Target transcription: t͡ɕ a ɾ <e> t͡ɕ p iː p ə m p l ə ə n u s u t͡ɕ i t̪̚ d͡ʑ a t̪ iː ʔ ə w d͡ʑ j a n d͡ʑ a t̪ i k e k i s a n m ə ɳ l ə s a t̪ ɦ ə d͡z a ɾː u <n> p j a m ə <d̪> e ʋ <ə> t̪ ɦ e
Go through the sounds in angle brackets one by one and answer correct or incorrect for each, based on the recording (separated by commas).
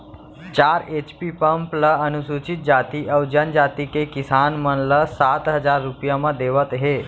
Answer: correct, incorrect, correct, correct